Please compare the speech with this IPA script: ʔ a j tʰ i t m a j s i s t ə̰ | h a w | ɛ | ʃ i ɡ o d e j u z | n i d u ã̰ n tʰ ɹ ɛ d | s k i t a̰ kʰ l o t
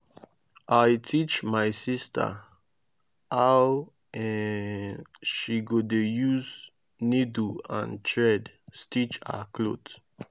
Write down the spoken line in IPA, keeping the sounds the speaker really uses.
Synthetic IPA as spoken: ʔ a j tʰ i t͡ʃ m a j s i s t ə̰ | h a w | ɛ | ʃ i ɡ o d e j u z | n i d u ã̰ n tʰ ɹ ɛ d | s t i t͡ʃ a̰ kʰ l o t

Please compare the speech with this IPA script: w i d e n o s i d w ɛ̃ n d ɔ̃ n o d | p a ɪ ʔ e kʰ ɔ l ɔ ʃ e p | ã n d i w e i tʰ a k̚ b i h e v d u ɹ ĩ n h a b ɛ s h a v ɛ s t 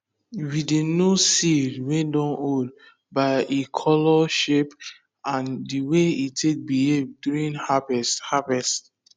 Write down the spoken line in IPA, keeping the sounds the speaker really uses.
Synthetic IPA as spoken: w i d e n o s i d w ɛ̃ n d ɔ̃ n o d | b a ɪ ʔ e kʰ ɔ l ɔ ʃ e p | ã n d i w e i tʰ e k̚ b i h e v d u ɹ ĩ n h a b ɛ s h a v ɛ s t

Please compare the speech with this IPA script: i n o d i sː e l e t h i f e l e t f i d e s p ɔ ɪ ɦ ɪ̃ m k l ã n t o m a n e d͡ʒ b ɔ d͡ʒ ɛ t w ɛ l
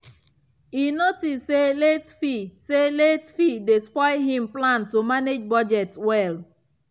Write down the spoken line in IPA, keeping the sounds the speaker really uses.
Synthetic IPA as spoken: i n o t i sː e l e t f i s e l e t f i d e s p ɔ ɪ ɦ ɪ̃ m p l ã n t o m a n e d͡ʒ b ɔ d͡ʒ ɛ t w ɛ l

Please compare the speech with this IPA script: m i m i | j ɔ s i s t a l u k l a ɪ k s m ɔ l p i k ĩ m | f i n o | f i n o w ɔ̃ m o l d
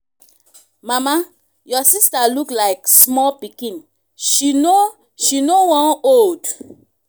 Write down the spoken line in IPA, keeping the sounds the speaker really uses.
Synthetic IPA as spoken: m a m a | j ɔ s i s t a l u k l a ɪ k s m ɔ l p i k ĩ n | ʃ i n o | ʃ i n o w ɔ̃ n o l d

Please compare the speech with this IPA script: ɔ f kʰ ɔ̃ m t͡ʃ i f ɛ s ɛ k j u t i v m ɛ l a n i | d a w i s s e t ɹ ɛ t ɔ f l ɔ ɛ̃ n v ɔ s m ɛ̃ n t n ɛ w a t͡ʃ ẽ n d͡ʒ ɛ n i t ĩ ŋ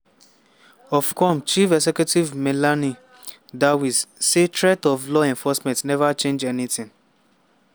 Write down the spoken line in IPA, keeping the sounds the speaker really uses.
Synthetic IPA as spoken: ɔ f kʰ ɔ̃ m t͡ʃ i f ɛ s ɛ k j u t i v m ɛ l a n i | d a w i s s e t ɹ ɛ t ɔ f l ɔ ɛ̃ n f ɔ s m ɛ̃ n t n ɛ v a t͡ʃ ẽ n d͡ʒ ɛ n i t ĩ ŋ

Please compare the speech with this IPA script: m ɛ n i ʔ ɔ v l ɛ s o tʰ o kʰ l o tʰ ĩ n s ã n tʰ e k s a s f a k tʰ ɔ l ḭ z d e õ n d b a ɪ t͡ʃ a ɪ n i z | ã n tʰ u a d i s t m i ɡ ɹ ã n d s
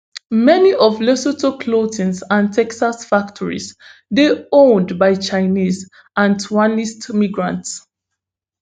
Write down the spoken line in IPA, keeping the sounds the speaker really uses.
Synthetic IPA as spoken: m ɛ n i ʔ ɔ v l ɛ s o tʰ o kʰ l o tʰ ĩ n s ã n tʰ ɛ k s a s f a k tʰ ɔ ɹ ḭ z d e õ n d b a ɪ t͡ʃ a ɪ n i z | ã n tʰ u a n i s t m i ɡ ɹ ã n t s

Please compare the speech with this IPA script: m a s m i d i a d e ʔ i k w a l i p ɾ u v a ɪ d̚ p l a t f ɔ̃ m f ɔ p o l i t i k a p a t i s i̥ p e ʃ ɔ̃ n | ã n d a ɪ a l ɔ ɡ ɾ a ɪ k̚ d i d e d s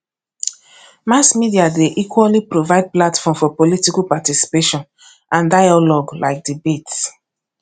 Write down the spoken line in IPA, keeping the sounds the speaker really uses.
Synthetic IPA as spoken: m a s m i d i a d e ʔ i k w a l i p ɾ o v a ɪ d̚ p l a t f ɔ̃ m f ɔ p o l i t i k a p a t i s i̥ p e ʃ ɔ̃ n | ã n d a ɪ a l ɔ ɡ l a ɪ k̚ d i b e t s

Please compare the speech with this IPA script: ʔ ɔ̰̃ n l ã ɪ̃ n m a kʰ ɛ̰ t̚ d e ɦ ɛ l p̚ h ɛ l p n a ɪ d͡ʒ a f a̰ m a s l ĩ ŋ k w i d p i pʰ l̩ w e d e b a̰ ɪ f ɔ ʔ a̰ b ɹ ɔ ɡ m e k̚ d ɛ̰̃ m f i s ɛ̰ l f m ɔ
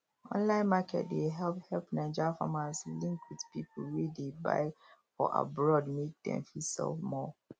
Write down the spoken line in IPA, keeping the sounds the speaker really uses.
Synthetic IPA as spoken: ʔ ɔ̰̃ n l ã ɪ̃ n m a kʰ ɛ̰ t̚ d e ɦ ɛ l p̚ h ɛ l p n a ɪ d͡ʒ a f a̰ m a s l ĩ ŋ k w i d p i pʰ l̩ w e d e b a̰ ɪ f ɔ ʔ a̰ b ɹ ɔ d m e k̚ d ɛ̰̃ m f i s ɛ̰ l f m ɔ

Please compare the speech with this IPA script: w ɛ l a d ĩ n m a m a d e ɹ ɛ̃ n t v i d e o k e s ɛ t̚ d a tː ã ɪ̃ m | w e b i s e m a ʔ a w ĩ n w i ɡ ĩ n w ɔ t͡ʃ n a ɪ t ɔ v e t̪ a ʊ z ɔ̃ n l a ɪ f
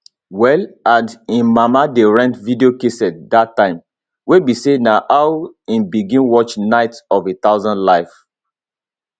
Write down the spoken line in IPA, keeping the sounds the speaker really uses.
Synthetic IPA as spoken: w ɛ l a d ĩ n m a m a d e ɹ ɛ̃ n t v i d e o k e s ɛ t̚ d a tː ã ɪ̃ m | w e b i s e n a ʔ a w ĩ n b i ɡ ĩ n w ɔ t͡ʃ n a ɪ t ɔ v e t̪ a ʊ z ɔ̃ n l a ɪ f

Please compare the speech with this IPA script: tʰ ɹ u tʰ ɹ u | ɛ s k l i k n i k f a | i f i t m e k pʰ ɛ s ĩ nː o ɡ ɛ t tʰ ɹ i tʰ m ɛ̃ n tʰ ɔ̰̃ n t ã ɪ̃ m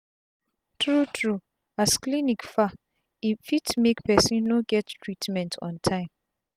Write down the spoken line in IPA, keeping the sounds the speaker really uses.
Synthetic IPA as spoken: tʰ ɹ u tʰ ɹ u | a s k l i n i k f a | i f i t m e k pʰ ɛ s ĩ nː o ɡ ɛ t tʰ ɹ i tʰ m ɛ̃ n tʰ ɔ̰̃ n tʰ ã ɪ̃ m

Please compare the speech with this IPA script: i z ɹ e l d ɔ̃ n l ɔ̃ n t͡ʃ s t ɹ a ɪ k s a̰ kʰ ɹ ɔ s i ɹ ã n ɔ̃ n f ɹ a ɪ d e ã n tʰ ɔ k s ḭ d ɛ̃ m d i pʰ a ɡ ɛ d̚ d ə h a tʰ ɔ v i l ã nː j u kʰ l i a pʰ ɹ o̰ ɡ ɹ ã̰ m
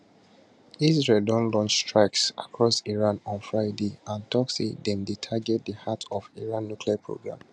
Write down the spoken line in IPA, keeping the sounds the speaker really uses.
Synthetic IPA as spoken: i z ɹ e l d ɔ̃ n l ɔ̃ n t͡ʃ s t ɹ a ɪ k s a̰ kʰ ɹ ɔ s i ɹ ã n ɔ̃ n f ɹ a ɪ d e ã n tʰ ɔ k s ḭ d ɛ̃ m d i tʰ a ɡ ɛ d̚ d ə h a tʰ ɔ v i ɹ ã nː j u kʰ l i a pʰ ɹ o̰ ɡ ɹ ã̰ m

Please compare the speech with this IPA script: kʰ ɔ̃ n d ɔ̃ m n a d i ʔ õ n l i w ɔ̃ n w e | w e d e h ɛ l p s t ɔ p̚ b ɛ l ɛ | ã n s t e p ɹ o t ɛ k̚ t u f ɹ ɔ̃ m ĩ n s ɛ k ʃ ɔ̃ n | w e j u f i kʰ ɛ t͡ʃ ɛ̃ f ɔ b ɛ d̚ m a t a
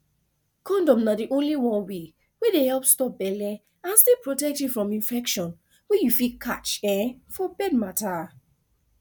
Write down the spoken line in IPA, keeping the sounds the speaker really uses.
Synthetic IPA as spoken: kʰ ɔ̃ n d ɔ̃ m n a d i ʔ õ n l i w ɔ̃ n w e | w e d e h ɛ l p s t ɔ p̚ b ɛ l ɛ | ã n s t e p ɹ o t ɛ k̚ t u f ɹ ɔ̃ m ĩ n f ɛ k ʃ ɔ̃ n | w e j u f i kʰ a t͡ʃ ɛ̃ f ɔ b ɛ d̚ m a t a

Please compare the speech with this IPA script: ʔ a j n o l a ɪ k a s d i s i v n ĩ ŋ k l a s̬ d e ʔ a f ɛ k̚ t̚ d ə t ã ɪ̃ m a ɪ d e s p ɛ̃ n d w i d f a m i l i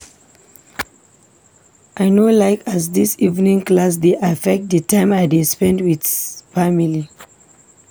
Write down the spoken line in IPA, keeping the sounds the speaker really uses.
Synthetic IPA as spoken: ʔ a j n o l a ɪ k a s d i s i v n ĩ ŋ k l a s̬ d e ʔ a f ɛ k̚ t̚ d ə t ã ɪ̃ m a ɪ d e s p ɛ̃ n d w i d f a m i l i

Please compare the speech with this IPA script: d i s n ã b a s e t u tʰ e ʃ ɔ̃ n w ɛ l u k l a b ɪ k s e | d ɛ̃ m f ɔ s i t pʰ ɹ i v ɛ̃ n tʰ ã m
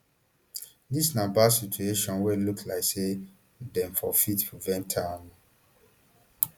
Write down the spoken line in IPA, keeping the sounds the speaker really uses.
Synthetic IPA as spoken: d i s n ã b a s i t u e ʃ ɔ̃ n w ɛ l u k l a ɪ k s e | d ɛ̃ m f ɔ f i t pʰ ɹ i v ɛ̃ n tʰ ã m

